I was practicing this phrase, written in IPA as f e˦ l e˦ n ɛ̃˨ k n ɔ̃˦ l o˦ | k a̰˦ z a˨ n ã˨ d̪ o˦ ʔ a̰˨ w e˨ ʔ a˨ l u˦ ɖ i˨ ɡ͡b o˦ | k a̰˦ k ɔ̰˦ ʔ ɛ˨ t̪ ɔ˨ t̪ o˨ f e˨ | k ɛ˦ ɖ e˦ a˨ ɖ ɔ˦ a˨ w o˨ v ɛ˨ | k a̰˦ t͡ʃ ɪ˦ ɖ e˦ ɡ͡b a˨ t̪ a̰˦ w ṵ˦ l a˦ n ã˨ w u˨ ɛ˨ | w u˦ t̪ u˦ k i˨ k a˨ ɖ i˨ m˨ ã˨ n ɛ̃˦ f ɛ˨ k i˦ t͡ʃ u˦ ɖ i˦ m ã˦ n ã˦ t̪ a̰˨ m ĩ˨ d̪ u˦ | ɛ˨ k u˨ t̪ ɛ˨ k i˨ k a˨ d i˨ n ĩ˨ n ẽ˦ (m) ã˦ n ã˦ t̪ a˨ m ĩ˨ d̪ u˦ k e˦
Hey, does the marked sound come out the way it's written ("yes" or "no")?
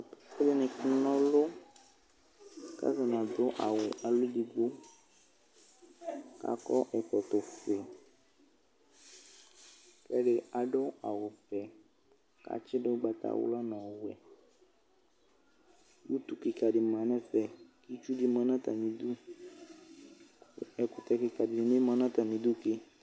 yes